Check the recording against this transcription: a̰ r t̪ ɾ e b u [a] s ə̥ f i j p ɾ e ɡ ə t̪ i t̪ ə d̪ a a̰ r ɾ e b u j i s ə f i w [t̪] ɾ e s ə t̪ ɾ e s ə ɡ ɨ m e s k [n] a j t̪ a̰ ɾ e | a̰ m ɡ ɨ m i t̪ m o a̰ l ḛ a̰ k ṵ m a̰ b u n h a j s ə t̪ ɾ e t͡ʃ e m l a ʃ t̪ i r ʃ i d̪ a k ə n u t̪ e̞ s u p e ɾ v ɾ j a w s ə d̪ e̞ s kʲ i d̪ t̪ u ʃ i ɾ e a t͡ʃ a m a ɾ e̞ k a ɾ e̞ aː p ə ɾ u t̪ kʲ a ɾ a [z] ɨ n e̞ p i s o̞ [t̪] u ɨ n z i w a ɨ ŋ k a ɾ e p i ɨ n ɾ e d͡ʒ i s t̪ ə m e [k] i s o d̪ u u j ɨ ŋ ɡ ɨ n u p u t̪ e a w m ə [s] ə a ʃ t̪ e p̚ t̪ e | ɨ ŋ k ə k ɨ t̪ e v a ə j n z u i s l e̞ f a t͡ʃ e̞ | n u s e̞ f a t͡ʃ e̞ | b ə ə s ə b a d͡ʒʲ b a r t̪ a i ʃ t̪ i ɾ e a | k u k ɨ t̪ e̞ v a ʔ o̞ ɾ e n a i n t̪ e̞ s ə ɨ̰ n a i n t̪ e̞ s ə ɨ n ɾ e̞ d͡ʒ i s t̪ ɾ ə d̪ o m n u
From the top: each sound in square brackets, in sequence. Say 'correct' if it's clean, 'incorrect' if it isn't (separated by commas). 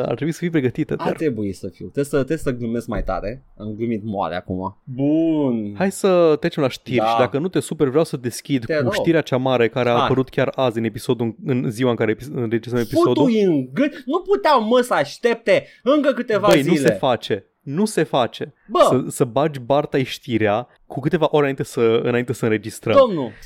incorrect, correct, incorrect, correct, incorrect, incorrect, correct